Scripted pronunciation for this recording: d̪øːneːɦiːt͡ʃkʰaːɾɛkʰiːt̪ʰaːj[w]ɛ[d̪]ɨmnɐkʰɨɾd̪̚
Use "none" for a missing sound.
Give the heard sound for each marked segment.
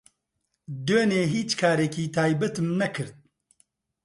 b, t̪

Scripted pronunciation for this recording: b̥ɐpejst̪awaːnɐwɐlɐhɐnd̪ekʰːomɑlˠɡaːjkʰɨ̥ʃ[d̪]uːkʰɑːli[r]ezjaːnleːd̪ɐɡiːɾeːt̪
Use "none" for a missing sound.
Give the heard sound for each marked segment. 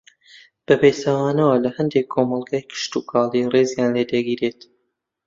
t̪, r

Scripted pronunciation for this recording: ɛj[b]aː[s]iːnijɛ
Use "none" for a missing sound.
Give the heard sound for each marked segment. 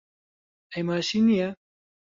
m, ʃ

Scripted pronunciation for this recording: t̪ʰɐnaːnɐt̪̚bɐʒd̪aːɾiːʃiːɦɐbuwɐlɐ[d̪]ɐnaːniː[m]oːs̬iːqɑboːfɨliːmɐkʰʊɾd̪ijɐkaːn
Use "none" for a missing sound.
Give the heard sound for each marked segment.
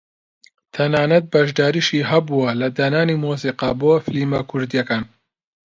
d̪, m

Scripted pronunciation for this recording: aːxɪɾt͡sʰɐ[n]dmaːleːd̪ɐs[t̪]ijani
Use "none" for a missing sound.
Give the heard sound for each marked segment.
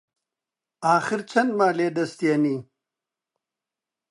n, t̪

